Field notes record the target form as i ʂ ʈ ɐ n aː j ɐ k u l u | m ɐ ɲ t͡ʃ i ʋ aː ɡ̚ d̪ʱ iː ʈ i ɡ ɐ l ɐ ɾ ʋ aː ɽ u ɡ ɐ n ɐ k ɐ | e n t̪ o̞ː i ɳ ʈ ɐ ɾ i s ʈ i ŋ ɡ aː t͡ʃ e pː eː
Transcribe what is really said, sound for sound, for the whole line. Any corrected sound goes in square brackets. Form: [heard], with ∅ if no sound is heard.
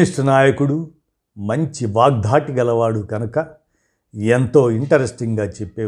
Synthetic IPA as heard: i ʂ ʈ ɐ n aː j ɐ k u [ɽ] u | m ɐ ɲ t͡ʃ i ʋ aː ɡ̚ d̪ʱ [aː] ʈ i ɡ ɐ l ɐ [∅] ʋ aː ɽ u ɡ ɐ n ɐ k ɐ | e n t̪ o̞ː i ɳ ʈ ɐ ɾ [e] s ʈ i ŋ ɡ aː t͡ʃ e pː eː